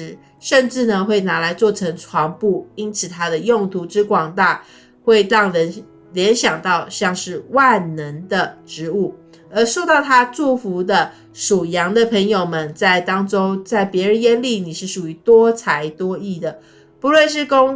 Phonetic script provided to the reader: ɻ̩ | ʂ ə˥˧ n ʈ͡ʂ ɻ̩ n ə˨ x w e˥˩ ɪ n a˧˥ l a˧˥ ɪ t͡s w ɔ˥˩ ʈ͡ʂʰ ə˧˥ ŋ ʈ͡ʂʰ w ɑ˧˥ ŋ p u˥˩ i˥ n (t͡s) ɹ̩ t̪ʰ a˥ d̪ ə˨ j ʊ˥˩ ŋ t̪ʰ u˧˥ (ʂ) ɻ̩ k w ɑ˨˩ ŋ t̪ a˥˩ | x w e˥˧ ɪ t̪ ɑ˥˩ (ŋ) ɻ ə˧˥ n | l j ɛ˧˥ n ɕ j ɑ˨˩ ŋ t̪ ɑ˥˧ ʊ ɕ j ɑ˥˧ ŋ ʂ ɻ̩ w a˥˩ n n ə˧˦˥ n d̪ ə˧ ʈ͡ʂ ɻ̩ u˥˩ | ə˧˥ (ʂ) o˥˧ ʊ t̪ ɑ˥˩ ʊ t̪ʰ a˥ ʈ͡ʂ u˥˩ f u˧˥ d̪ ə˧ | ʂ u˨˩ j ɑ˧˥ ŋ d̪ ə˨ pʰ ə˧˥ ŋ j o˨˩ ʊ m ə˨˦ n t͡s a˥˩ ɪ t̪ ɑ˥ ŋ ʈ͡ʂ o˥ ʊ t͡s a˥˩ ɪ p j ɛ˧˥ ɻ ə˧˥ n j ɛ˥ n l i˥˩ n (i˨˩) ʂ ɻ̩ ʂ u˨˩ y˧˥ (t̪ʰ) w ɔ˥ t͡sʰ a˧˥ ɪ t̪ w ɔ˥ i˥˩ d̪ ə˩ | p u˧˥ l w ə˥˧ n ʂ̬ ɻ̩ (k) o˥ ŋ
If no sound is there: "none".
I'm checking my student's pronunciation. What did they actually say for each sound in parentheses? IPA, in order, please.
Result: t͡sʰ, ʈ͡ʂ, ŋ, ʂ, i˨˩, t̪, k

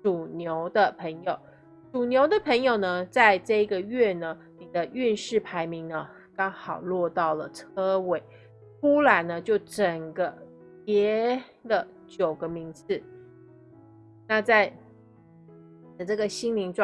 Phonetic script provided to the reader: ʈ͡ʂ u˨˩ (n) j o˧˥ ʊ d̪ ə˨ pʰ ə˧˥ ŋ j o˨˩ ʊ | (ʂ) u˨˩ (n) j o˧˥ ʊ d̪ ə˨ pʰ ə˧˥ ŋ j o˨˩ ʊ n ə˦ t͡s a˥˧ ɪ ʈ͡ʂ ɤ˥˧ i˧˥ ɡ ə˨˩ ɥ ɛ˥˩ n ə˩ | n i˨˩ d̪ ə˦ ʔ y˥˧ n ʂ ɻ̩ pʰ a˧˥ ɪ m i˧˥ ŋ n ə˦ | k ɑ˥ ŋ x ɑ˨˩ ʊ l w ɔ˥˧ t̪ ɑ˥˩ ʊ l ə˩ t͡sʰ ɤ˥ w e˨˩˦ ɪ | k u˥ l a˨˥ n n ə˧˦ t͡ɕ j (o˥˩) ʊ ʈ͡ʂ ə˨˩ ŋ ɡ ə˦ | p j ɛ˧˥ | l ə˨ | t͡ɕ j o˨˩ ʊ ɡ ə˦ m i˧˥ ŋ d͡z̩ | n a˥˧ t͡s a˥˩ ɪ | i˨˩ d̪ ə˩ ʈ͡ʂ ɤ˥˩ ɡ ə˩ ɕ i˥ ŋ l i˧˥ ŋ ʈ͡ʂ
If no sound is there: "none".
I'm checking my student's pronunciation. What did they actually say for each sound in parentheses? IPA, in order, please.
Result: n, ʈ͡ʂ, n, o˥˩

